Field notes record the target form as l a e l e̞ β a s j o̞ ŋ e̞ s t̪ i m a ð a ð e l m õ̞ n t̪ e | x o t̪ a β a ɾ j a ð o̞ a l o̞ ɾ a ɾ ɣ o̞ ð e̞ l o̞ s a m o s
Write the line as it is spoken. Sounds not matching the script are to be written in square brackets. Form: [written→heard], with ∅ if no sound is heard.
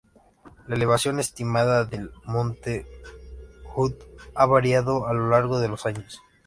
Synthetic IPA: l a e l e̞ β a s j o̞ [ŋ→n] e̞ s t̪ i m a ð a ð e l m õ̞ n t̪ e | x [o→u] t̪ a β a ɾ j a ð o̞ a l o̞ [ɾ→l] a ɾ ɣ o̞ ð e̞ l o̞ s a [m→ɲ] o s